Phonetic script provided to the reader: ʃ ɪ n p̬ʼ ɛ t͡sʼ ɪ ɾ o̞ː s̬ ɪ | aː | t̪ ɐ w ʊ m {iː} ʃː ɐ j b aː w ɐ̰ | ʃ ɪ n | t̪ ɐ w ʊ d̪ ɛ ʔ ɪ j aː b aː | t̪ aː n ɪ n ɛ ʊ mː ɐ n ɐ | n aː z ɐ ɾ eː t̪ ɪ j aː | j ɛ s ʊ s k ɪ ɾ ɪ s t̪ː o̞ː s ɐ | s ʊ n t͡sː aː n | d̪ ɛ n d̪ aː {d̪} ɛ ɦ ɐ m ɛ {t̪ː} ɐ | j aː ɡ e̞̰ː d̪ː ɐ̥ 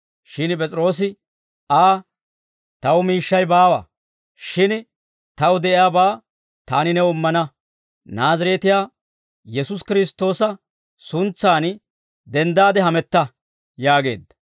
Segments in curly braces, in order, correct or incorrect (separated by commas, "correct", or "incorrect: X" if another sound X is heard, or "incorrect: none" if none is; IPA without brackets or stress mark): correct, correct, correct